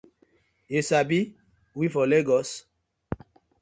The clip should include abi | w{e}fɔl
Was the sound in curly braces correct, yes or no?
no